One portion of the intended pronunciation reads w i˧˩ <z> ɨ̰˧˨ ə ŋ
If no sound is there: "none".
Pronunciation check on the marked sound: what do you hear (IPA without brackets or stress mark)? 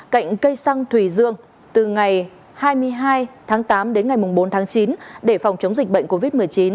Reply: z